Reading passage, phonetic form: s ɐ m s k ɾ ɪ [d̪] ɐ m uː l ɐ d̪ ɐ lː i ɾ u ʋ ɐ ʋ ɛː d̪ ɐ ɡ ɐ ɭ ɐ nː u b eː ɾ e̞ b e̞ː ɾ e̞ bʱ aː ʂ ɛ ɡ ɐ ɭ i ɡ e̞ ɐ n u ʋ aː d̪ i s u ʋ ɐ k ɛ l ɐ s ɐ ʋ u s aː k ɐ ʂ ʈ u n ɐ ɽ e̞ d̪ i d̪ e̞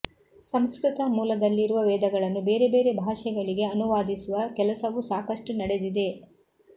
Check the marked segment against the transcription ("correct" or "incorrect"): incorrect